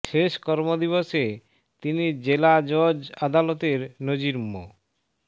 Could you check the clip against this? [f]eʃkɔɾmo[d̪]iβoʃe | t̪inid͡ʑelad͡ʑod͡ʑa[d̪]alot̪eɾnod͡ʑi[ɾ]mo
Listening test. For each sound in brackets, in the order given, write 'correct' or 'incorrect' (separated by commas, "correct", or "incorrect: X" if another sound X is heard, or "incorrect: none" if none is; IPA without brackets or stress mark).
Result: incorrect: ʃ, correct, correct, correct